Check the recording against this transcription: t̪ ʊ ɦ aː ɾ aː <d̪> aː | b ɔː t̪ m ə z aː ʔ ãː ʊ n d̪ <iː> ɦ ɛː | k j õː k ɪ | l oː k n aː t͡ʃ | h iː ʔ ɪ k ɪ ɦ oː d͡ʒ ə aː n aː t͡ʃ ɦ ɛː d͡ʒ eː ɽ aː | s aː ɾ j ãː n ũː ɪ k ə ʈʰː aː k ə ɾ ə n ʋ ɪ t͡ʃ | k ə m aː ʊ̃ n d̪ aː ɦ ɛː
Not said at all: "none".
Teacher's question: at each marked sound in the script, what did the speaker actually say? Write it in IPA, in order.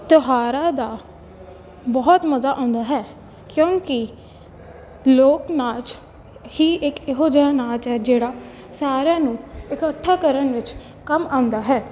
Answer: d̪, aː

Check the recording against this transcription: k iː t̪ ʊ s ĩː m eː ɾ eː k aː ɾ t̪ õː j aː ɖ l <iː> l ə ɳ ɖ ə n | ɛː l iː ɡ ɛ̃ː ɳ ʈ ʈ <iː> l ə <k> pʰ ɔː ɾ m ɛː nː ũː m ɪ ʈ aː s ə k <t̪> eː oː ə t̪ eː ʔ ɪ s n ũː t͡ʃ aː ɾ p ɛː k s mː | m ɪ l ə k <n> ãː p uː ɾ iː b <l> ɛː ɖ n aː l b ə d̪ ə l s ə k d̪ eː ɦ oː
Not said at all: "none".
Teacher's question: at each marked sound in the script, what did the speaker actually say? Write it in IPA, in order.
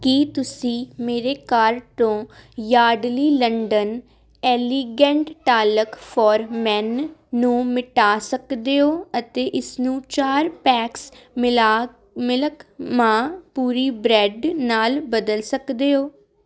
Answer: iː, aː, k, d̪, m, ɾ

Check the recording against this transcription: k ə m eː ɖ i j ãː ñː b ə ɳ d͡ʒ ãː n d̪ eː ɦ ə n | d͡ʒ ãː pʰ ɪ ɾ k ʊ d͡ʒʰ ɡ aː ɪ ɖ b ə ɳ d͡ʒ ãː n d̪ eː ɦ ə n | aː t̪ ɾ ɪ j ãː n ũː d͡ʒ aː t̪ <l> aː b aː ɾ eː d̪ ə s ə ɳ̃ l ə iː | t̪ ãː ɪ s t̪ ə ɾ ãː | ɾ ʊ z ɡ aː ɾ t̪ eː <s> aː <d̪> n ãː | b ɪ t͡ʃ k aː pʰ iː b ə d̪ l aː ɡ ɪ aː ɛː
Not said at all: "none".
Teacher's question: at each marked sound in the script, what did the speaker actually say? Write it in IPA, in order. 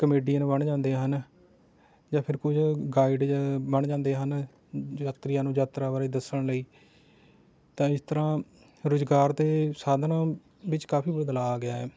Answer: ɾ, s, d̪

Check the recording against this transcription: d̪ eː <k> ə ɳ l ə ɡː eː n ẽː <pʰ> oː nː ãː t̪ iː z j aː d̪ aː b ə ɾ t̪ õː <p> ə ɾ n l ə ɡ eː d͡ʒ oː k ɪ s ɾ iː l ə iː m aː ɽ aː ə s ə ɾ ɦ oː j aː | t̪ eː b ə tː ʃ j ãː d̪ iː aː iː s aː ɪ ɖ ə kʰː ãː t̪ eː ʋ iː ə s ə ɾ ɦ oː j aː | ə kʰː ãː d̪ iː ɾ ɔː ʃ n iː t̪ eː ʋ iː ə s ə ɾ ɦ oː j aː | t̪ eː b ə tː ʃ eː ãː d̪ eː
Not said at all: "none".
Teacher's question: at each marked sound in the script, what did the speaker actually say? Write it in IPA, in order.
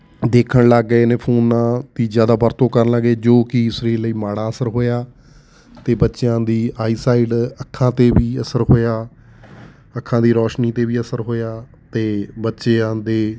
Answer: kʰ, pʰ, k

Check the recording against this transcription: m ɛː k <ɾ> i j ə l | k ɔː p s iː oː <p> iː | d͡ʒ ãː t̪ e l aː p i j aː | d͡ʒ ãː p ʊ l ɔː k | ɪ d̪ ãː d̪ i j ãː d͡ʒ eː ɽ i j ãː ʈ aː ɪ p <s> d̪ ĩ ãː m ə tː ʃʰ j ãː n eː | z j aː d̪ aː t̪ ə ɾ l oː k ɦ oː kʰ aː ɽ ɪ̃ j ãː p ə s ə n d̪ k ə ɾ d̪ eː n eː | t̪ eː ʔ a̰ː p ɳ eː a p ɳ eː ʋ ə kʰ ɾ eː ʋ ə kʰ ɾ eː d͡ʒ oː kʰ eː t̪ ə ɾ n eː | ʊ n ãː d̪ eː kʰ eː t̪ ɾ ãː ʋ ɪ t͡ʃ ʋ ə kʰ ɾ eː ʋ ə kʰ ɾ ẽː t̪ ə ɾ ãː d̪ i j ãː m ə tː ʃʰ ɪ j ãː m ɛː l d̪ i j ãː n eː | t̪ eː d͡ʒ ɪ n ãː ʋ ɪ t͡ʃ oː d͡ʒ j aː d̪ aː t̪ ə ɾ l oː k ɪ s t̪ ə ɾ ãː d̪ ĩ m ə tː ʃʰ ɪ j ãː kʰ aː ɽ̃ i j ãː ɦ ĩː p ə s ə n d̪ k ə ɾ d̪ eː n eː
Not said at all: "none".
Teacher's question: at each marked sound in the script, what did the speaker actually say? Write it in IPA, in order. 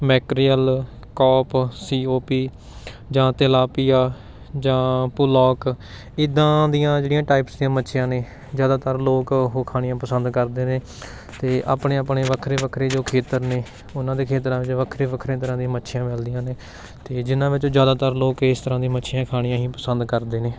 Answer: ɾ, p, s

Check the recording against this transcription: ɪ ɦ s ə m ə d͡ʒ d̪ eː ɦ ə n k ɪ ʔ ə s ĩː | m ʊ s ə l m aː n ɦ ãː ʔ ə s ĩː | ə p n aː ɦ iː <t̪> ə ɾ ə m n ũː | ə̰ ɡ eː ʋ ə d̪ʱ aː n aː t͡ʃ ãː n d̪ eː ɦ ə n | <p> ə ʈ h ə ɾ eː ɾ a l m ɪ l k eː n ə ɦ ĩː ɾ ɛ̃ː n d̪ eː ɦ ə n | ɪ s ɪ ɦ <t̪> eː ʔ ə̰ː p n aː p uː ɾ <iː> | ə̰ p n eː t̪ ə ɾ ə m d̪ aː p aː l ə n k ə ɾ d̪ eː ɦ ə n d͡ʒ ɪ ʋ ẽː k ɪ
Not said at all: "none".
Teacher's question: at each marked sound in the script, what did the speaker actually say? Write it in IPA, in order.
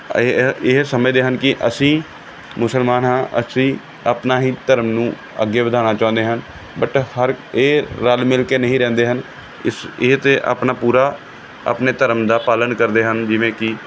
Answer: t̪, b, t̪, aː

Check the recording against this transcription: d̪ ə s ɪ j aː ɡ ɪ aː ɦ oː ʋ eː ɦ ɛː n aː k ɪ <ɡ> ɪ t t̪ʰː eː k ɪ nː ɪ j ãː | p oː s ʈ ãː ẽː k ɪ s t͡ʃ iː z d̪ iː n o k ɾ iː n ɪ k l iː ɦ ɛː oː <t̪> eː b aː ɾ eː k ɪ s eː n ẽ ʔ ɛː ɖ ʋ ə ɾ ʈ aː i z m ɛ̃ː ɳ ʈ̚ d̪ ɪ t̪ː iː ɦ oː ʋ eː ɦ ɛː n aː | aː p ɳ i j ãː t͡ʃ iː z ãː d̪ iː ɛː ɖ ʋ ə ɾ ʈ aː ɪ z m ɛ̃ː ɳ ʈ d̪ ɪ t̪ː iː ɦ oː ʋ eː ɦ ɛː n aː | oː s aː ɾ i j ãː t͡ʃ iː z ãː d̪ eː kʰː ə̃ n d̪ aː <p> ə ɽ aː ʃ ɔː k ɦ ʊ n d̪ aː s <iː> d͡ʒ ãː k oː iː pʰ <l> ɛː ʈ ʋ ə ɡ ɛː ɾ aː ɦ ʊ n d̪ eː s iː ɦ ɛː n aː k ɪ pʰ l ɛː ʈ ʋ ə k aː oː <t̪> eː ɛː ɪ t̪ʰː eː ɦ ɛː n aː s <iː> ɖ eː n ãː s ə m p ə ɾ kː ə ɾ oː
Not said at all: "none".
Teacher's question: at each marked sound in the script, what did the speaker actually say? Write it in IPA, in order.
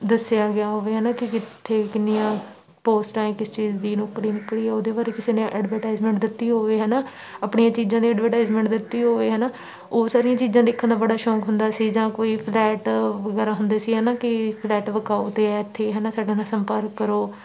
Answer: k, d̪, b, iː, l, t̪, aː

